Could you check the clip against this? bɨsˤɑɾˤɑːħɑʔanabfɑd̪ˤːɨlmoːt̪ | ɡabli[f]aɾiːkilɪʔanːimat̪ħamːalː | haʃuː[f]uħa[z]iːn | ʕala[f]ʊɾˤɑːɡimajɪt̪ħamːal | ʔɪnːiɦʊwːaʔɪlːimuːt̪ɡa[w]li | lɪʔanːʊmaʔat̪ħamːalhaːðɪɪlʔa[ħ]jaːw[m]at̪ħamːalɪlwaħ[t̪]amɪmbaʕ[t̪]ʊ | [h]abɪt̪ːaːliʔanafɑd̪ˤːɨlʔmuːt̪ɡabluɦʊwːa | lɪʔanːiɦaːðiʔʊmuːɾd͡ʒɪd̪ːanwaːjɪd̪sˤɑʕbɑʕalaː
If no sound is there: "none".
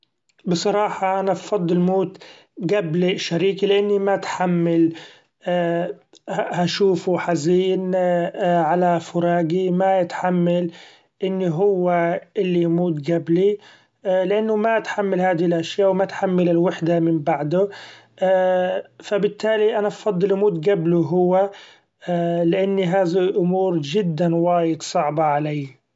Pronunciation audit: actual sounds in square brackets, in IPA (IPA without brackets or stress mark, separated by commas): ʃ, f, z, f, b, ʃ, m, d̪, d̪, f